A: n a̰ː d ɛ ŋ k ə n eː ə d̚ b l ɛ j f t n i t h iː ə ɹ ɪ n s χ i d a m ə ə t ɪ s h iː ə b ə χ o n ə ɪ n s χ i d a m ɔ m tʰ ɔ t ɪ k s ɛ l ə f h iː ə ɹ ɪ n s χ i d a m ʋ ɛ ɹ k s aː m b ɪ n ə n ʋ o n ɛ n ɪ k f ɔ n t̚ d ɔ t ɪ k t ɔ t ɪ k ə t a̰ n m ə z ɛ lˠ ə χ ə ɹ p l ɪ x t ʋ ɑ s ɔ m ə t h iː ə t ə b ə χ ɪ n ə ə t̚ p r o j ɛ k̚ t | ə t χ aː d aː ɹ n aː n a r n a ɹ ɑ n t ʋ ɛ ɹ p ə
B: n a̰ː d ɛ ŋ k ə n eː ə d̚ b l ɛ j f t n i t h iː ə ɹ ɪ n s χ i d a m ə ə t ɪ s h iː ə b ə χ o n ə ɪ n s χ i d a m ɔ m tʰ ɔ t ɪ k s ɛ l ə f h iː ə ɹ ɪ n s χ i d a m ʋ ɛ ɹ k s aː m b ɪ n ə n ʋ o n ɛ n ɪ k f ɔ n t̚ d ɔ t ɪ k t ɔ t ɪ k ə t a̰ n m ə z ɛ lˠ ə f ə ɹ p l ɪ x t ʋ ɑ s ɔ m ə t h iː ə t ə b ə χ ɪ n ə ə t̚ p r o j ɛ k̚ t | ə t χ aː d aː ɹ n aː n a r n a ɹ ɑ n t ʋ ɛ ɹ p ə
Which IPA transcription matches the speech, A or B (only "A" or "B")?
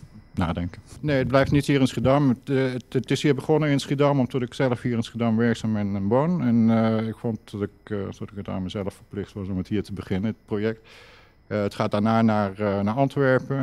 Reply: B